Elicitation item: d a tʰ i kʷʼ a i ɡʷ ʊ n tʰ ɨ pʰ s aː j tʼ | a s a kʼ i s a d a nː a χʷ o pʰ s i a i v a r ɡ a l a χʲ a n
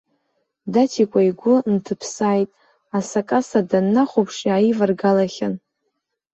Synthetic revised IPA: d a tʰ i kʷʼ a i ɡʷ ʊ n tʰ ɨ pʰ s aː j tʼ | a s a kʼ a s a d a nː a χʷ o pʰ ʂ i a i v a r ɡ a l a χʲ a n